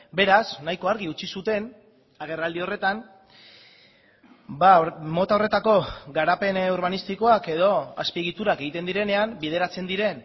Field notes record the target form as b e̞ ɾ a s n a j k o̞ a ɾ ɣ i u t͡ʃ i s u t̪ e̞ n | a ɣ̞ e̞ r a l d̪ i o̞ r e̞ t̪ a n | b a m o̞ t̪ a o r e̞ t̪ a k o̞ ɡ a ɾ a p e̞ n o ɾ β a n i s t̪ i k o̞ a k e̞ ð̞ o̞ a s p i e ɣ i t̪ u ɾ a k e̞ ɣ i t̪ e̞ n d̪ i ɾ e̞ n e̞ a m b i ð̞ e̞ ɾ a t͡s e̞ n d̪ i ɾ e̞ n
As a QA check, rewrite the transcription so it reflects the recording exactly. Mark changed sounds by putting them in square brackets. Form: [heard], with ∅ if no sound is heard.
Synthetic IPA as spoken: b e̞ ɾ a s n a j k o̞ a ɾ ɣ i u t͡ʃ i s u t̪ e̞ n | a ɣ̞ e̞ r a l d̪ i o̞ r e̞ t̪ a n | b a m o̞ t̪ a o r e̞ t̪ a k o̞ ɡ a ɾ a p e̞ n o ɾ β a n i s t̪ i k o̞ a k e̞ ð̞ o̞ a s p i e ɣ i t̪ u ɾ a k e̞ ɣ i t̪ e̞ n d̪ i ɾ e̞ n e̞ a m b i ð̞ e̞ ɾ a t͡s e̞ n d̪ i ɾ e̞ n